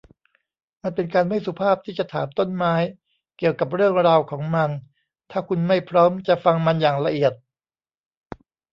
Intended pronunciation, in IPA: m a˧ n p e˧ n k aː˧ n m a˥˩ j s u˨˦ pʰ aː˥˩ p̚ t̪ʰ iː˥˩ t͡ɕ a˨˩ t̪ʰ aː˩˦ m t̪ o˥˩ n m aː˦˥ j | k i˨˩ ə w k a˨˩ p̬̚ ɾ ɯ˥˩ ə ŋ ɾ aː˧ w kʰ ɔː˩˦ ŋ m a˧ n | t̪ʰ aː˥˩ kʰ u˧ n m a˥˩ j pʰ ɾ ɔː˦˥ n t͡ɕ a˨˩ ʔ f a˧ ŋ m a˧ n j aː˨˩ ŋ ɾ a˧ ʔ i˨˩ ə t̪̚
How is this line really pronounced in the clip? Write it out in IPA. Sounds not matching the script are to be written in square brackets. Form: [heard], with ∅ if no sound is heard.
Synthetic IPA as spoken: m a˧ n p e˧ n k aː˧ n m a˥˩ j s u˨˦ pʰ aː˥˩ p̚ t̪ʰ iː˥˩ t͡ɕ a˨˩ t̪ʰ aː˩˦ m t̪ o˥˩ n m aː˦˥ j | k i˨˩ ə w k a˨˩ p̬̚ ɾ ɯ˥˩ ə ŋ ɾ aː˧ w kʰ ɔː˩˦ ŋ m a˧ n | t̪ʰ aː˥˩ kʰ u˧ n m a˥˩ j pʰ ɾ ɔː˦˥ [m] t͡ɕ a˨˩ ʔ f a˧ ŋ m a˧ n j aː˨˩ ŋ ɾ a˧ ʔ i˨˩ ə t̪̚